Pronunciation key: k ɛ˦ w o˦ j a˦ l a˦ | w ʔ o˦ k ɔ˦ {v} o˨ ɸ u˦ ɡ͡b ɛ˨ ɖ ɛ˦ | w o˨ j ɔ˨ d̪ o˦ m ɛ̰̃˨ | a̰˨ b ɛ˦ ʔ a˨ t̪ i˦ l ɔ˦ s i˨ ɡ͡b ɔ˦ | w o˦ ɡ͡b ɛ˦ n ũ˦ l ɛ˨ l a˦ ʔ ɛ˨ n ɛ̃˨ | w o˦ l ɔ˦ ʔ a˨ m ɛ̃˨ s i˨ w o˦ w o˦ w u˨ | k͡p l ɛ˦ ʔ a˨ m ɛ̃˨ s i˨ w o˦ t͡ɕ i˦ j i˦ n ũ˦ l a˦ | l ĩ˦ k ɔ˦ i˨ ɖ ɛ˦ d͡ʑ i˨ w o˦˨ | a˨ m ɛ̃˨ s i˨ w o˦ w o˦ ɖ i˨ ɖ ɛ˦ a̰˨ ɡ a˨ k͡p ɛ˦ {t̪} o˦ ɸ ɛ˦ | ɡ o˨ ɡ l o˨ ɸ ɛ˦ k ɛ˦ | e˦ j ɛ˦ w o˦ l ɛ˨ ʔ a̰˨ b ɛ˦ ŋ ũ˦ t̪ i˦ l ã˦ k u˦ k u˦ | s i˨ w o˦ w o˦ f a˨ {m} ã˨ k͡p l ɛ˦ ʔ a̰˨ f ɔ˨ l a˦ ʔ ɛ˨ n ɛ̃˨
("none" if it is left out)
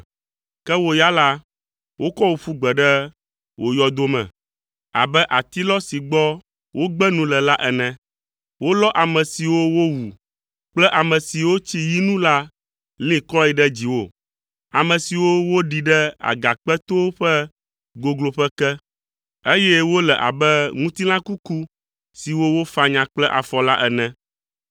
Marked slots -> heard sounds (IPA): w, t̪, ɲ

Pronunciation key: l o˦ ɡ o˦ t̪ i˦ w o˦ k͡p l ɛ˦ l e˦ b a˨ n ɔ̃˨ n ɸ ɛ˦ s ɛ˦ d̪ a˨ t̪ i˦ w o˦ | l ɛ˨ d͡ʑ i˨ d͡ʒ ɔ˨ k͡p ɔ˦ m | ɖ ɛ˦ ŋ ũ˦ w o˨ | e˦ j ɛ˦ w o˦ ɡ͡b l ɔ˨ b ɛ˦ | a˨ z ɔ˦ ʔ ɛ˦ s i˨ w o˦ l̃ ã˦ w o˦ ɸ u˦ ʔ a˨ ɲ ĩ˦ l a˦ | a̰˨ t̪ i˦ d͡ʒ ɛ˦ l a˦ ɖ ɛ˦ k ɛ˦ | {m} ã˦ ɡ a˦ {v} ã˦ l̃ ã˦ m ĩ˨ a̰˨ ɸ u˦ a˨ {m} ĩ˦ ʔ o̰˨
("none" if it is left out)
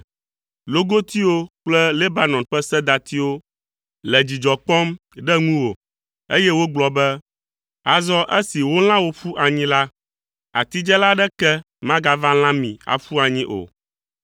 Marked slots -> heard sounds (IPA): m, v, ɲ

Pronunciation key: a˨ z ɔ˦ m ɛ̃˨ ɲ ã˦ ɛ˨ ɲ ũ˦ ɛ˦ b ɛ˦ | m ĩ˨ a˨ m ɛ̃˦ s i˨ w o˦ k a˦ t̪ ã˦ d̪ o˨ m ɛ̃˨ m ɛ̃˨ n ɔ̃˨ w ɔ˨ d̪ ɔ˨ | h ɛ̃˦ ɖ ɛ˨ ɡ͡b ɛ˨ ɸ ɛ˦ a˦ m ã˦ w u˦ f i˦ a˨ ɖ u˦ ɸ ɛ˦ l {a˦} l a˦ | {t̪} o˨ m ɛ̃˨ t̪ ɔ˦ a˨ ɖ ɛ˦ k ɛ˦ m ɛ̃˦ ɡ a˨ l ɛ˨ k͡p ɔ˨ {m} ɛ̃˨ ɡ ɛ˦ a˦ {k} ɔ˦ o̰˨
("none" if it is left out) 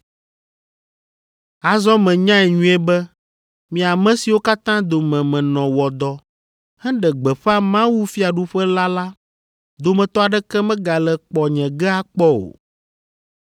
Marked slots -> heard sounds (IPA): a˦, d̪, ɲ, k͡p

